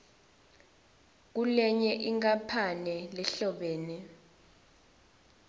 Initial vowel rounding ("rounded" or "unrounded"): rounded